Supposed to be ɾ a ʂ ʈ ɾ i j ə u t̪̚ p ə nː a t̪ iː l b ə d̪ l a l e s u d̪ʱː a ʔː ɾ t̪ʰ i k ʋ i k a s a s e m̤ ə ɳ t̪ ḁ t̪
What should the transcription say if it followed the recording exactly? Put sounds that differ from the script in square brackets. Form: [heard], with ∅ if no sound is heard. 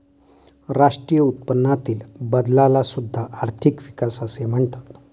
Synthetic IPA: ɾ a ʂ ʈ ɾ i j ə u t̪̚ p ə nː a t̪ iː l b ə d̪ l a l [a] s u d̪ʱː a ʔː ɾ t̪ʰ i k ʋ i k a s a s e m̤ ə ɳ t̪ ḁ t̪